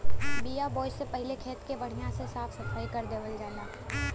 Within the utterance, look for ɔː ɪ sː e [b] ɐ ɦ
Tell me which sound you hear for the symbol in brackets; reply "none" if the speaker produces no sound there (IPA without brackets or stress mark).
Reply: p